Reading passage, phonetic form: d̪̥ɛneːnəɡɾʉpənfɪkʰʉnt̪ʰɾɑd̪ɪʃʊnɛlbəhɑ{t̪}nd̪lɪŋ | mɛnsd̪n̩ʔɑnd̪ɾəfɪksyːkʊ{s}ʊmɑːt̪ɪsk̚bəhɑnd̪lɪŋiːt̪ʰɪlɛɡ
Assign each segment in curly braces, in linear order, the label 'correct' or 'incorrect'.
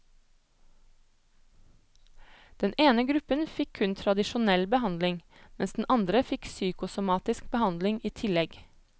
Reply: incorrect, correct

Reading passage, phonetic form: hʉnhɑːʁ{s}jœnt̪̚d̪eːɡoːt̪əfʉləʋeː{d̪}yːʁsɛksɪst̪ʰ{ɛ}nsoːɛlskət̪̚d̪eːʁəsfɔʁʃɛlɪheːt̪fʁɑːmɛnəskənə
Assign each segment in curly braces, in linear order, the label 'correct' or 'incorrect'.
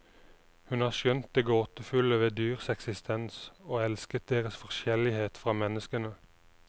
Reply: incorrect, correct, correct

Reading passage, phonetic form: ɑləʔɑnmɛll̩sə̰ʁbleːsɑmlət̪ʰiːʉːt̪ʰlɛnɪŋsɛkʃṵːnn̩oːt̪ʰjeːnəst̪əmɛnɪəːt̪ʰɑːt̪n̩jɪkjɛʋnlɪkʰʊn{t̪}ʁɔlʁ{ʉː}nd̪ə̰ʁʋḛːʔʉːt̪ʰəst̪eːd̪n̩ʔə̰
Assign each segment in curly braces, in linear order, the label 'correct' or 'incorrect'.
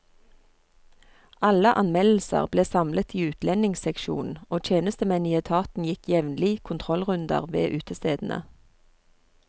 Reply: incorrect, incorrect

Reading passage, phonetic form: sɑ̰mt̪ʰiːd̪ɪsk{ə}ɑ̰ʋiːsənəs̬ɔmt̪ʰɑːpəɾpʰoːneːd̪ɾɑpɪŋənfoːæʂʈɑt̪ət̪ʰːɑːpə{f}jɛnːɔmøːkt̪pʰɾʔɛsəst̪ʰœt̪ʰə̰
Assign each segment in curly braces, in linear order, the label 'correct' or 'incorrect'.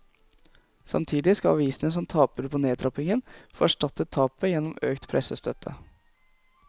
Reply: incorrect, incorrect

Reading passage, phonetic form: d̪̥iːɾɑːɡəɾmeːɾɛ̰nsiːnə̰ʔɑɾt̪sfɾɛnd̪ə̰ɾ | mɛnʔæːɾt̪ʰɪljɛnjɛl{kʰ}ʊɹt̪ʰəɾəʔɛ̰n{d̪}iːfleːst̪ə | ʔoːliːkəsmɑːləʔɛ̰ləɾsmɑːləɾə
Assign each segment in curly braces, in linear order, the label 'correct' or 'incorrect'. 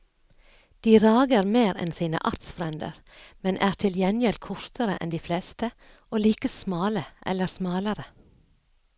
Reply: correct, correct

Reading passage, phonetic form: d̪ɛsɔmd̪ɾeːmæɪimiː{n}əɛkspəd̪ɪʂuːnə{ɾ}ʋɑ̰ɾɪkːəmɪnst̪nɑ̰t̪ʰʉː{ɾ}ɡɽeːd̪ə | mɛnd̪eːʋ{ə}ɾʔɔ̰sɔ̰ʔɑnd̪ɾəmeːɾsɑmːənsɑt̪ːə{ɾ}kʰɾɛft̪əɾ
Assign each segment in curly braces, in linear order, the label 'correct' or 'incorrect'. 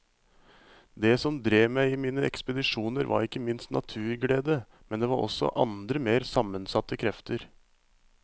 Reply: correct, correct, correct, incorrect, incorrect

